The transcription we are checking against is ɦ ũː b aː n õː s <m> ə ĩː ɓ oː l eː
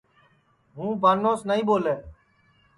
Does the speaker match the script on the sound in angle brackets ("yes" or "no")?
no